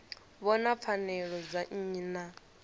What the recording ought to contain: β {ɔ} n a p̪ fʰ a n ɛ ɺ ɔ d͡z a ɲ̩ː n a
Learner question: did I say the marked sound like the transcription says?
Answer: yes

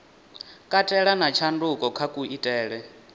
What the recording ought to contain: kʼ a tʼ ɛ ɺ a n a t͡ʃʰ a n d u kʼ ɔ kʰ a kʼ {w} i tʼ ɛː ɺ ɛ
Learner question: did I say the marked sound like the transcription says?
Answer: no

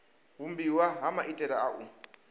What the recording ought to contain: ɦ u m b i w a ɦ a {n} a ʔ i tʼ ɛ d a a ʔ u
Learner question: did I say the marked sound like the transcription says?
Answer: no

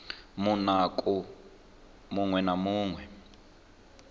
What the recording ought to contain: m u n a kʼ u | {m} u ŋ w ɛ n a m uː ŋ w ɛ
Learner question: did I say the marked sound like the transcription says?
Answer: yes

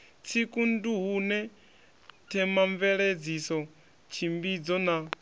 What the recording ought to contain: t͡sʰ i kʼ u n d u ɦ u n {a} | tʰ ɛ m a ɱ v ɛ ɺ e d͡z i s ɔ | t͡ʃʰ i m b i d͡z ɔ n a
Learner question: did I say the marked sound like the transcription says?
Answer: no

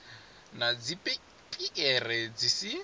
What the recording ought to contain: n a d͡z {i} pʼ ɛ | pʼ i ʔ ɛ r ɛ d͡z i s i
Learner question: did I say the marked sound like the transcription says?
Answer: yes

